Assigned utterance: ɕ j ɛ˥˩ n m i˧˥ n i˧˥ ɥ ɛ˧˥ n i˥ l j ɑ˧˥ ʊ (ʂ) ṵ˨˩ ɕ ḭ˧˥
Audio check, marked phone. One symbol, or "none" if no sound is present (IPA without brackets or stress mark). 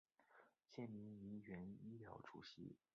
ʈ͡ʂ